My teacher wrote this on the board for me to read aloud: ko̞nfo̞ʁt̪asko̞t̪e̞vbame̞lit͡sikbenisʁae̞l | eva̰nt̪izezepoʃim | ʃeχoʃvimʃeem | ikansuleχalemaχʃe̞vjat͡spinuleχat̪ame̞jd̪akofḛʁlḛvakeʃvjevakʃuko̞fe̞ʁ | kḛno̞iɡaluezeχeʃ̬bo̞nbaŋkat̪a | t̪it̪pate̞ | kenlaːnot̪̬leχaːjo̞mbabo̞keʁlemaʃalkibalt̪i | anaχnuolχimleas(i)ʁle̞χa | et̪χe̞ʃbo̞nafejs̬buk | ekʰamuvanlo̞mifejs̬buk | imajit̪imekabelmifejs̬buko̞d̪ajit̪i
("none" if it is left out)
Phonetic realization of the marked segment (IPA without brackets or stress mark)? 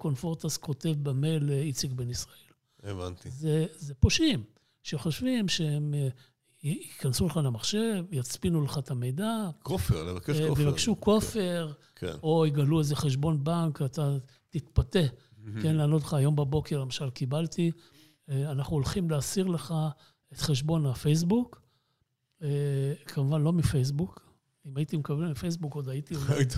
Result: i